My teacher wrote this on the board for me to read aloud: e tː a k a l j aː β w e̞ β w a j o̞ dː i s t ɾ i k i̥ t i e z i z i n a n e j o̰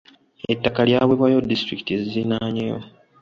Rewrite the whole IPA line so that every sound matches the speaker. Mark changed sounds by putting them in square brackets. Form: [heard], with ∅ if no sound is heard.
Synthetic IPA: e tː a k a l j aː β w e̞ β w a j o̞ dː i s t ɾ i k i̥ t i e z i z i n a [ɲ] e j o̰